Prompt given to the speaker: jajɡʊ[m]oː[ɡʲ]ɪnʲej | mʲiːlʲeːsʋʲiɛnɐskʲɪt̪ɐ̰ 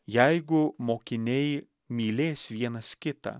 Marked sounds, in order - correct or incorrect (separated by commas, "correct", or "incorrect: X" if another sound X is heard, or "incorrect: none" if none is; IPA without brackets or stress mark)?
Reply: correct, incorrect: kʲ